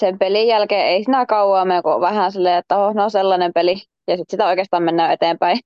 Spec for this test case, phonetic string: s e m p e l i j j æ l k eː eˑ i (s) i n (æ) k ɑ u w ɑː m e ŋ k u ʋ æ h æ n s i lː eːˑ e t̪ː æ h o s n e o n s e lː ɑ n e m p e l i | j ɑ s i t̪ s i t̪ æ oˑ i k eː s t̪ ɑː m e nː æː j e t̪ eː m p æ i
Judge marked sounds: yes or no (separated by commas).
yes, yes